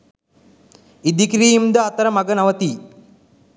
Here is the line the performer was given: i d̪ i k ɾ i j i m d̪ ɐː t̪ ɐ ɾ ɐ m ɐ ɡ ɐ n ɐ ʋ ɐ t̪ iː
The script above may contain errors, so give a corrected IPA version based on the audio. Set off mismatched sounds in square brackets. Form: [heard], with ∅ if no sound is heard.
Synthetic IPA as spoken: i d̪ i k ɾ i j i m d̪ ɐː t̪ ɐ ɾ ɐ m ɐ ɡ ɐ n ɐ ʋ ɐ t̪ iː